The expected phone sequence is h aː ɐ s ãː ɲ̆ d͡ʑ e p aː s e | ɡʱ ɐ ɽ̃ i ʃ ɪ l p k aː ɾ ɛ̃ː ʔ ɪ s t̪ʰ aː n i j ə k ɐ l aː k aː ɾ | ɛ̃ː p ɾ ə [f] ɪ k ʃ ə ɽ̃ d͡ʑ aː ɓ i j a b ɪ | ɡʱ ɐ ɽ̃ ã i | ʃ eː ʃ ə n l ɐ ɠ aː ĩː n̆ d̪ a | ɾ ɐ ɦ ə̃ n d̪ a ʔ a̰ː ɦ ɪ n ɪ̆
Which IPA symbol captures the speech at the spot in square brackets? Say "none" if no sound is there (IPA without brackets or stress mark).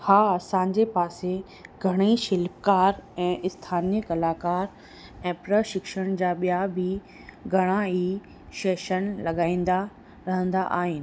ʃ